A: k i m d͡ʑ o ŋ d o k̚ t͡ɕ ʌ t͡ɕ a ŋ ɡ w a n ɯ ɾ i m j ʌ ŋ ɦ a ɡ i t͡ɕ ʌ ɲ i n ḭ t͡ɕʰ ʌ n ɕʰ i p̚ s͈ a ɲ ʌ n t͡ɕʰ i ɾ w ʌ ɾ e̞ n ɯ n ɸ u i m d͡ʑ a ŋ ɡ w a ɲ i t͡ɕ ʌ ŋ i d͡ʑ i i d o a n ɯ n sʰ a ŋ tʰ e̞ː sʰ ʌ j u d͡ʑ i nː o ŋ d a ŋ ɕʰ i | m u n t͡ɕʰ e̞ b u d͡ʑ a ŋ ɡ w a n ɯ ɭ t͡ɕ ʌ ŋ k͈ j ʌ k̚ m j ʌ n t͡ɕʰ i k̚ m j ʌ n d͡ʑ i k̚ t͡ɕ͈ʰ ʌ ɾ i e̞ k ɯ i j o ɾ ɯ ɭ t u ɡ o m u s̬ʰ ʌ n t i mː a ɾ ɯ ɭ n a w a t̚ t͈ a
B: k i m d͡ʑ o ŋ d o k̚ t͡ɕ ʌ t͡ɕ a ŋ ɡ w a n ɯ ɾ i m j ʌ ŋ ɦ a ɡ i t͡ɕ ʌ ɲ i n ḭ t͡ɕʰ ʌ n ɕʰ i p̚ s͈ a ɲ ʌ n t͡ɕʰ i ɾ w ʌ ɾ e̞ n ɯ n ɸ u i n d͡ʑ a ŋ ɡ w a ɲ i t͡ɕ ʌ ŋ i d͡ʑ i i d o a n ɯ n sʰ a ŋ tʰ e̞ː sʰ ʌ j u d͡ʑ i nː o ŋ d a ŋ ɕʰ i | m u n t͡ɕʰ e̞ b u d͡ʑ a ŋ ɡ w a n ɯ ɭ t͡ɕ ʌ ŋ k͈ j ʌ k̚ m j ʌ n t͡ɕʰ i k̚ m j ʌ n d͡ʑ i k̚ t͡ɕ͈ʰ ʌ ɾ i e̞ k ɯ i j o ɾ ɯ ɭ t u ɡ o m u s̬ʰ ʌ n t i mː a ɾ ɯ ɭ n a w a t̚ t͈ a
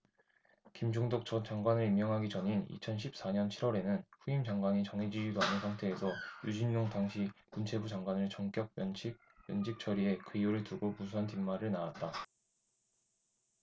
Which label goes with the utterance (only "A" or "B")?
A